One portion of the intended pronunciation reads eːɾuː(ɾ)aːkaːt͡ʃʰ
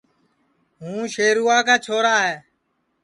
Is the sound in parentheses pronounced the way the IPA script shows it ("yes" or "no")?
no